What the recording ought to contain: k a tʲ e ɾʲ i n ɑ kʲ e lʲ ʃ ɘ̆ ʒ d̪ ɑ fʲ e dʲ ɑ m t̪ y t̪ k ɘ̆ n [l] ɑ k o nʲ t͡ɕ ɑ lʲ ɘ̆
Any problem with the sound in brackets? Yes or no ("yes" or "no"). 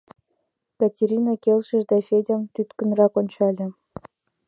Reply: yes